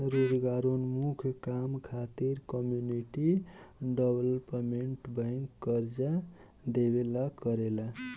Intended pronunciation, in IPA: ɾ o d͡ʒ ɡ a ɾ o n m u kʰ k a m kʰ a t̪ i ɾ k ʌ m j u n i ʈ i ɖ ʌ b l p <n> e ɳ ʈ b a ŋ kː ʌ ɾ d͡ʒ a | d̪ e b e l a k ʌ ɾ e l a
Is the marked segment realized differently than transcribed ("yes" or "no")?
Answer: yes